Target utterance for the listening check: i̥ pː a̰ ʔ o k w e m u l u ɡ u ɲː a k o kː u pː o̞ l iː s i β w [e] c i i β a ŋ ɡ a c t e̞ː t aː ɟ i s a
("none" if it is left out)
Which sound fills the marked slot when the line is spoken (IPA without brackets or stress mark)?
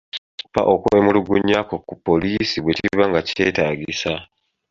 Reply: e